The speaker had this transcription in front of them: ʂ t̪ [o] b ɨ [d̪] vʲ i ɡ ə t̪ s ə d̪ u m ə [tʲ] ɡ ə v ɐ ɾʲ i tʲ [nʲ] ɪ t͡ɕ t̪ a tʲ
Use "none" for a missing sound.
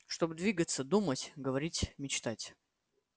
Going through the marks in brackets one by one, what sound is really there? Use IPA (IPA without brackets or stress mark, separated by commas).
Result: o, d̪, tʲ, mʲ